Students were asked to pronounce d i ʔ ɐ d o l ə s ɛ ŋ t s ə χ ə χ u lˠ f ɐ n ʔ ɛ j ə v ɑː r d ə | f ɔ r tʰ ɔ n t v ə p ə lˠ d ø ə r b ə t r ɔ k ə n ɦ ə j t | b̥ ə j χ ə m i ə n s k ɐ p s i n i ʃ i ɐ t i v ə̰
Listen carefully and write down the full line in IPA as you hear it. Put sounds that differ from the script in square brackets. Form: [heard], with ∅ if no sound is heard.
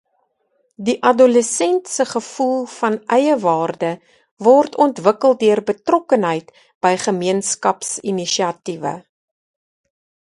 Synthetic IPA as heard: d i ʔ ɐ d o l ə s ɛ [n] t s ə χ ə [f] u lˠ f ɐ n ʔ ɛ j ə v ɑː r d ə | [v] ɔ r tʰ ɔ n t v ə [k] ə lˠ d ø ə r b ə t r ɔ k ə n ɦ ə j t | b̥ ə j χ ə m i ə n s k ɐ p s i n i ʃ i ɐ t i v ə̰